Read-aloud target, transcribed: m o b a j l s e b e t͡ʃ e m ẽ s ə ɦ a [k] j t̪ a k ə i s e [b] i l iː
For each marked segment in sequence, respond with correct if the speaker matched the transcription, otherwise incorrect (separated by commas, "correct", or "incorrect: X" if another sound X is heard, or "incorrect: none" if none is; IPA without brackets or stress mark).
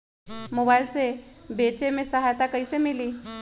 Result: incorrect: none, incorrect: m